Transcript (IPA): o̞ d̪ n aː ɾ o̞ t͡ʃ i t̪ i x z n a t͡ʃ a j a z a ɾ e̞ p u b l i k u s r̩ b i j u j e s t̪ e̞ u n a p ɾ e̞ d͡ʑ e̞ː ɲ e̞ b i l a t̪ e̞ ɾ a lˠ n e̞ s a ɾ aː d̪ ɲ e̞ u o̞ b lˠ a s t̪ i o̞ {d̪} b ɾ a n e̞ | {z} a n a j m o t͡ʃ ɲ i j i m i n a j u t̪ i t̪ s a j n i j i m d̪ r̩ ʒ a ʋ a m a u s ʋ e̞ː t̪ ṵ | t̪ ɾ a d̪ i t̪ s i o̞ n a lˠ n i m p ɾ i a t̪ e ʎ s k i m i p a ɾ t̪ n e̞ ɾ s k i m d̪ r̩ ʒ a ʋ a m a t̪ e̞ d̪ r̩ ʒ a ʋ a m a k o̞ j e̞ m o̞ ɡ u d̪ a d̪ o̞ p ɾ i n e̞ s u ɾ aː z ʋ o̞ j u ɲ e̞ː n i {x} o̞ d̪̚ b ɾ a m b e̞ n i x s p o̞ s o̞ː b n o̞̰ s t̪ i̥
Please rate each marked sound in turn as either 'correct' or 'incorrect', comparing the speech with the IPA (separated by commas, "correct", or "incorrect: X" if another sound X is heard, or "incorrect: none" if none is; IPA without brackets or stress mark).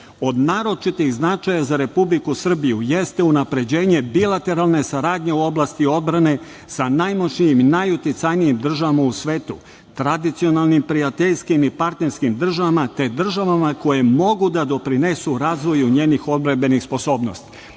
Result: correct, incorrect: s, correct